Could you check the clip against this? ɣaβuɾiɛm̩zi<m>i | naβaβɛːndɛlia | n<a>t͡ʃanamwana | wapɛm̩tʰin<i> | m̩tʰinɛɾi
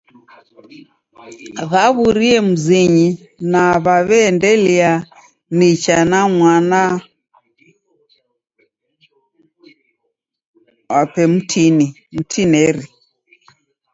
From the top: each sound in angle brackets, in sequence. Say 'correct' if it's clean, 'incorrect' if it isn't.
incorrect, incorrect, correct

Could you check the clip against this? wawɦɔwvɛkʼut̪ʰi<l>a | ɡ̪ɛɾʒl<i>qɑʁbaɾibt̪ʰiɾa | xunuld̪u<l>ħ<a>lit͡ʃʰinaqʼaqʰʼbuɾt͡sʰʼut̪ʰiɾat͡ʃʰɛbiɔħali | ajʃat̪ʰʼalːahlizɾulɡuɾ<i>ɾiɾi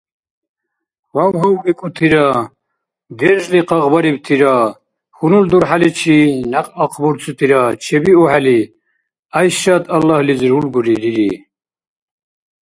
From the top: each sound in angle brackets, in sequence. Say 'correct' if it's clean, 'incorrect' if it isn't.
incorrect, correct, incorrect, correct, correct

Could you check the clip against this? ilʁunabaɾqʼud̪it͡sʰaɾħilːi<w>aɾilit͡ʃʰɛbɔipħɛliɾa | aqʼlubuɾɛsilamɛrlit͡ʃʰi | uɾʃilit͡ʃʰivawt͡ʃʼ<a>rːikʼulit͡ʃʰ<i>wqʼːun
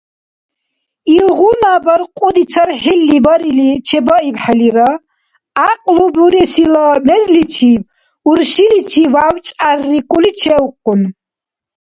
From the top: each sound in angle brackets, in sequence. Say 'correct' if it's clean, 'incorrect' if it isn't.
incorrect, correct, incorrect

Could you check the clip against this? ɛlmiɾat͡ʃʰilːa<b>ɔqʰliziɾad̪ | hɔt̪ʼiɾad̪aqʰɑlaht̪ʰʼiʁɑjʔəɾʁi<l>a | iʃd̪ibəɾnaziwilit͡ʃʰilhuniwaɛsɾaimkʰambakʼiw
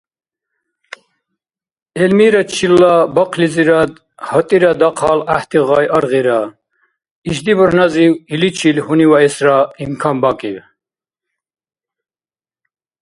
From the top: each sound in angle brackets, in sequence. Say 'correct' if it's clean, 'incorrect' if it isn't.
correct, incorrect

